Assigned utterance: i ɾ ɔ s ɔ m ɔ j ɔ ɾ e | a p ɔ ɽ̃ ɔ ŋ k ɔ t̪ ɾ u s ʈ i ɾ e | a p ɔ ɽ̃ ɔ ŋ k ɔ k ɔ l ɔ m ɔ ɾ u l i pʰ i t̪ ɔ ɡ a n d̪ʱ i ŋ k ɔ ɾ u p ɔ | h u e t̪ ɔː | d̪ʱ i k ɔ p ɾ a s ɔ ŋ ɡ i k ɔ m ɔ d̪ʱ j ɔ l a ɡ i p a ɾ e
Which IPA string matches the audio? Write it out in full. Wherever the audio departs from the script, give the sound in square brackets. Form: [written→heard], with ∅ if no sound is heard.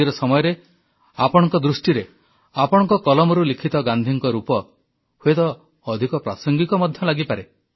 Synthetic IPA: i ɾ ɔ s ɔ m ɔ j ɔ ɾ e | a p ɔ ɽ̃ ɔ ŋ k ɔ [t̪→d̪] ɾ u s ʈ i ɾ e | a p ɔ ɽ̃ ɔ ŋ k ɔ k ɔ l ɔ m ɔ ɾ u l i [pʰ→kʰ] i t̪ ɔ ɡ a n d̪ʱ i ŋ k ɔ ɾ u p ɔ | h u e t̪ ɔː | d̪ʱ i k ɔ p ɾ a s ɔ ŋ ɡ i k ɔ m ɔ d̪ʱ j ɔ l a ɡ i p a ɾ e